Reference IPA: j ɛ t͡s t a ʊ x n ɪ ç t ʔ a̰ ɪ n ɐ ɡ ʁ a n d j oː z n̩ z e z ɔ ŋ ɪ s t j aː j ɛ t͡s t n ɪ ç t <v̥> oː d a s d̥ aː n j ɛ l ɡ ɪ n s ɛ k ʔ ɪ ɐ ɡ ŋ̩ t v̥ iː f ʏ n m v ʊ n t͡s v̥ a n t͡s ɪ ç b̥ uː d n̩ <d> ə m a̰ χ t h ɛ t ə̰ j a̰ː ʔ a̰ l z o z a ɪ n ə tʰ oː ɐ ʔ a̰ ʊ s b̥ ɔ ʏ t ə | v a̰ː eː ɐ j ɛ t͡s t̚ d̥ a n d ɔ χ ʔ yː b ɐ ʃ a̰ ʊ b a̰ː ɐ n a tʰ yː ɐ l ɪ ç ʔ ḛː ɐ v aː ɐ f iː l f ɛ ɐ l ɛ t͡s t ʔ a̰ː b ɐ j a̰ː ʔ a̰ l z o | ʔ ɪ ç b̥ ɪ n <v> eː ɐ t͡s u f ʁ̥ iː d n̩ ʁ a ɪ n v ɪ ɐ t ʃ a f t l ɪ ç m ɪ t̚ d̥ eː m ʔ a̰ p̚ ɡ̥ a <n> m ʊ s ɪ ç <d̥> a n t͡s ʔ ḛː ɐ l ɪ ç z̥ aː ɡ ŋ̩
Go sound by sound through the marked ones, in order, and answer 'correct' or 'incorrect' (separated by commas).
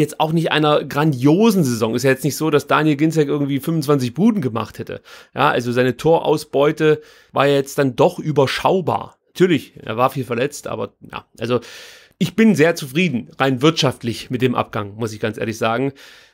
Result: incorrect, incorrect, incorrect, incorrect, incorrect